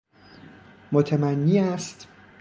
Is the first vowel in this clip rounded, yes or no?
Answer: yes